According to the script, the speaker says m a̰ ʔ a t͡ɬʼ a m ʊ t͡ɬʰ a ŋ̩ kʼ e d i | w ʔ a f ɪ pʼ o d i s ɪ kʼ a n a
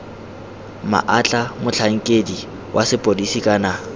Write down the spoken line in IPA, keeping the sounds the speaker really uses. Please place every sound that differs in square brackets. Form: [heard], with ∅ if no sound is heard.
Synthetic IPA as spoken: m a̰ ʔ a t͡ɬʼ a m ʊ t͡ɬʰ a ŋ̩ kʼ e d i | w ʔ a [s] ɪ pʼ o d i s [i] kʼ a n a

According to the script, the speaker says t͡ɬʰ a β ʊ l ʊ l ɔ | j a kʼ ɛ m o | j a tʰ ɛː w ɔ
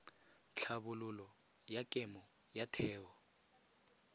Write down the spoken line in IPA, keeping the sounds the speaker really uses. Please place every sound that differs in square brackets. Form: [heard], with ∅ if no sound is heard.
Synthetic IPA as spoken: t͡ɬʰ a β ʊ l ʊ l ɔ | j a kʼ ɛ m [ɔ] | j a tʰ ɛː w ɔ

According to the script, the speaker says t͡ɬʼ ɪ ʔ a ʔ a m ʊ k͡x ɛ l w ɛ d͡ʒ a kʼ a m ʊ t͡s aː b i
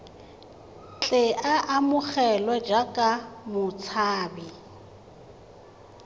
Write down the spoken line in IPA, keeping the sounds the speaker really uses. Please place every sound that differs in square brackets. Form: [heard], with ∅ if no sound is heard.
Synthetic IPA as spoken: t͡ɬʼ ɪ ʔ a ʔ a m ʊ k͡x ɛ l w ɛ d͡ʒ a kʼ a m ʊ [t͡sʰ] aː b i

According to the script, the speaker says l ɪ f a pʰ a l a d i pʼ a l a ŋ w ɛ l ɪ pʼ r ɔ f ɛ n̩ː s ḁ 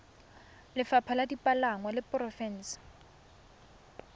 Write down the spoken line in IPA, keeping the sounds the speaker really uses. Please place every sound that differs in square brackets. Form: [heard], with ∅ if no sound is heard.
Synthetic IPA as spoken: l ɪ f a pʰ a l a d i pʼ a l a ŋ w [a] l ɪ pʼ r ɔ f ɛ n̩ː s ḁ

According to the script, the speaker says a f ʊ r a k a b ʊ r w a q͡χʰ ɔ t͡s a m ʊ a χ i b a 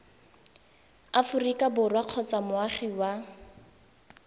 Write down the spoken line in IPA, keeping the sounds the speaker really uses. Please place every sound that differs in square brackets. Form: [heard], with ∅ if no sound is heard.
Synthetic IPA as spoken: a f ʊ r [i] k a b ʊ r w a q͡χʰ ɔ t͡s a m ʊ a χ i [w] a

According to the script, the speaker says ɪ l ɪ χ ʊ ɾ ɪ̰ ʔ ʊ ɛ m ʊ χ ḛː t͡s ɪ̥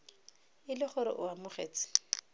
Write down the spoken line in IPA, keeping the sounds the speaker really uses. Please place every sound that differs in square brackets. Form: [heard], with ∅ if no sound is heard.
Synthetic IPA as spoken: ɪ l ɪ χ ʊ ɾ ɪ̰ ʔ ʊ [a] m ʊ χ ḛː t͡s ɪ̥

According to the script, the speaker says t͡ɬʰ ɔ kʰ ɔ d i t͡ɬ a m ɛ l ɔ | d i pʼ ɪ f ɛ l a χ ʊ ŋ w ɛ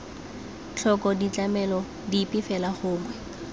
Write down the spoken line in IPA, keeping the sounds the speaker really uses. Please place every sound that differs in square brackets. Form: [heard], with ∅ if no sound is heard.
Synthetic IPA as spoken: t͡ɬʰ ɔ [k] ɔ d i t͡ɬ a m ɛ l ɔ | d i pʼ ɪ f ɛ l a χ [ʊː] ŋ w ɛ

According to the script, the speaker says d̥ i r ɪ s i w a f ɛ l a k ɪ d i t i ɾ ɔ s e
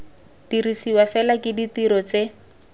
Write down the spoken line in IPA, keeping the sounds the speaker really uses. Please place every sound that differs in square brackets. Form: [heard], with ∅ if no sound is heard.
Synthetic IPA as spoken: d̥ i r [i] s i w a f ɛ l a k ɪ d i t i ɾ ɔ [t͡s] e

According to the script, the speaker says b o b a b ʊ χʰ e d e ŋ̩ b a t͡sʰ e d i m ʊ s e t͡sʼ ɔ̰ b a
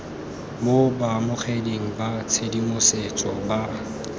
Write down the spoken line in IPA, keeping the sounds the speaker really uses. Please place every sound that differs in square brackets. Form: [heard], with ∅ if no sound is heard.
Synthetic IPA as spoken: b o b a [m] ʊ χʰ e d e ŋ̩ b a t͡sʰ e d i m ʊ s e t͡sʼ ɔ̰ b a

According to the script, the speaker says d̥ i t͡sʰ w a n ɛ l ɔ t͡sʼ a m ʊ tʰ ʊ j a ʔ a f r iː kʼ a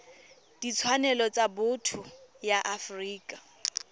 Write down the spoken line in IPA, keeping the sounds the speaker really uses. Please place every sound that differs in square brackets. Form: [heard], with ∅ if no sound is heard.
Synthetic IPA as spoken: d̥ i t͡sʰ w a n ɛ l ɔ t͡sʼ a [b] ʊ tʰ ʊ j a ʔ a f r iː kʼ a

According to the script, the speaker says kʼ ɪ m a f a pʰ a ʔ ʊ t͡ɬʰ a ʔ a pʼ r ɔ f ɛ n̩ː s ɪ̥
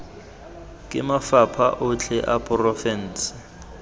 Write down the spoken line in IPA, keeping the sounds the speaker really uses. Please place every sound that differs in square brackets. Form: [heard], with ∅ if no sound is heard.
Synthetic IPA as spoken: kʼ ɪ m a f a pʰ a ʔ ʊ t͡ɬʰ [ɛ] ʔ a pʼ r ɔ f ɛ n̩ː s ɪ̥

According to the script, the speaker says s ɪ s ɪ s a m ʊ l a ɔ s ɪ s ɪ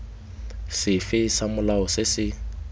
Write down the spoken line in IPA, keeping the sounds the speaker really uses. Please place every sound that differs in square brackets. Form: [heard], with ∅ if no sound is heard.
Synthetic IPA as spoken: s ɪ [f] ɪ s a m ʊ l a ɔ s ɪ s ɪ

